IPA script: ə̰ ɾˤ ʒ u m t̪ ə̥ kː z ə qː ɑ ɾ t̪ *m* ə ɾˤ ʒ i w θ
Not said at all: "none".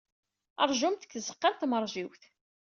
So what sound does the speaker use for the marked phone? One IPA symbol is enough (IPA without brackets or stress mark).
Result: m